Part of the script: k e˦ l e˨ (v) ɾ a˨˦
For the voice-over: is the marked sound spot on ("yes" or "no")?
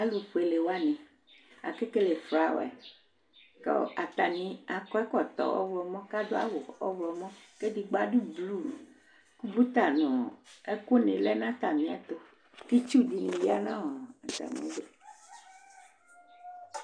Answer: no